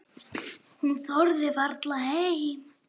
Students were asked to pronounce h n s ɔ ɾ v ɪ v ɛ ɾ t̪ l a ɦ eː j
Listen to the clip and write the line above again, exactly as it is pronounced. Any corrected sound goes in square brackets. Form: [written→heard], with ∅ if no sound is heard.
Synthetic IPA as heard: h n [s→θ] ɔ ɾ [v→ð] ɪ v [ɛ→a] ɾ t̪ l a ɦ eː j